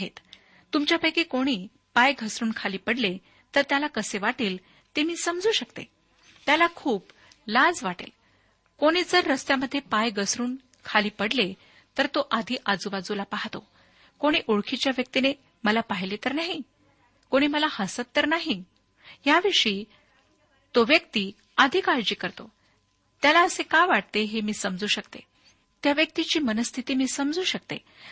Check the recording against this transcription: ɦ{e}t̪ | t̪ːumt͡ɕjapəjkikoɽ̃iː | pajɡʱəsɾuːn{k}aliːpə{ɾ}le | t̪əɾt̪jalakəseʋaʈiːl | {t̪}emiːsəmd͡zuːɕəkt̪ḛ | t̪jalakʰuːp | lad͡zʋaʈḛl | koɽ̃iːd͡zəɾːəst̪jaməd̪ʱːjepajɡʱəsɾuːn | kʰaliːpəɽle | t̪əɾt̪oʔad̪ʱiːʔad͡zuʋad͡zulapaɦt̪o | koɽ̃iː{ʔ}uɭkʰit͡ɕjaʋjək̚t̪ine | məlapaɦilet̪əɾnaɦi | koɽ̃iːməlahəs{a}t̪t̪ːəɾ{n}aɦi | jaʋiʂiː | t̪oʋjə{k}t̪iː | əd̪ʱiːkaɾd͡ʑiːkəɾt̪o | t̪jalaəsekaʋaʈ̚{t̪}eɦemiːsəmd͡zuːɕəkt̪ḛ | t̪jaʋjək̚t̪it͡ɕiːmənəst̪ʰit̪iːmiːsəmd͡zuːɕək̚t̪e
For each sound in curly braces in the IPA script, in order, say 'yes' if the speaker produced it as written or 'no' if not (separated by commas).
yes, no, no, yes, yes, no, yes, yes, yes